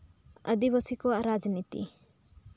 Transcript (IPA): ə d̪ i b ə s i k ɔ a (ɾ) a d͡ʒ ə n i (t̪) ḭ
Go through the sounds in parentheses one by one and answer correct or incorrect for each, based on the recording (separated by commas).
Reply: correct, correct